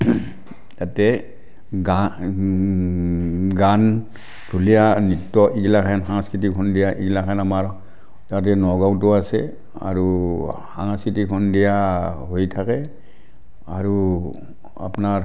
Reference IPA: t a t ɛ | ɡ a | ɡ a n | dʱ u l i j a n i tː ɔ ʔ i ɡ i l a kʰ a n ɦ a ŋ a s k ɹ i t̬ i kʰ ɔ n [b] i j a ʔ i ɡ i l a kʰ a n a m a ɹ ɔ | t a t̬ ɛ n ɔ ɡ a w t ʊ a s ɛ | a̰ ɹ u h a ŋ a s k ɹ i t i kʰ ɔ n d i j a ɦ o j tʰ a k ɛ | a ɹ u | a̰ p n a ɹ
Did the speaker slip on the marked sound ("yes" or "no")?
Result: yes